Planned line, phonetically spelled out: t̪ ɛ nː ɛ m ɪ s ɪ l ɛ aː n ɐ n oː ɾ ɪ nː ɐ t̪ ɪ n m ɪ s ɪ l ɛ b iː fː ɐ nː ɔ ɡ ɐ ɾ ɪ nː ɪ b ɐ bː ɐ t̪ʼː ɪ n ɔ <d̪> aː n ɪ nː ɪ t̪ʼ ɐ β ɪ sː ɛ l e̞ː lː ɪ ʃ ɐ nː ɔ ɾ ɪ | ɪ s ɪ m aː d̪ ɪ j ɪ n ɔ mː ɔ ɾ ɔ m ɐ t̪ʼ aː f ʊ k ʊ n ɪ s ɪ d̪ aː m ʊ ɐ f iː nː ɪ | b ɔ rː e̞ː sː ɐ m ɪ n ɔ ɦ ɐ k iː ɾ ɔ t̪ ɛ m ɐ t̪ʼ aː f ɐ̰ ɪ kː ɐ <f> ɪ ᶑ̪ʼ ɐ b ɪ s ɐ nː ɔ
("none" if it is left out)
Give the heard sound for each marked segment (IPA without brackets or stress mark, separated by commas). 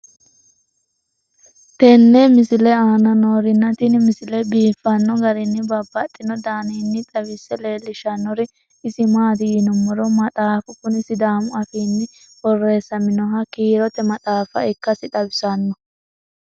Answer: d̪, s